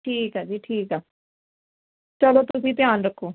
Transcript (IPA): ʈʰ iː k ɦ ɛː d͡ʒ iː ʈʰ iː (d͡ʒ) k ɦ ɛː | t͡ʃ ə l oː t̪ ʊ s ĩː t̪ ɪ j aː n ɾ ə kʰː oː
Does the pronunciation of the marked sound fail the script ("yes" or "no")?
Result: yes